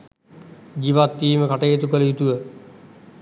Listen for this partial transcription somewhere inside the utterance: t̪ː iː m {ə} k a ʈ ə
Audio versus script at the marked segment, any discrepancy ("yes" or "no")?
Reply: no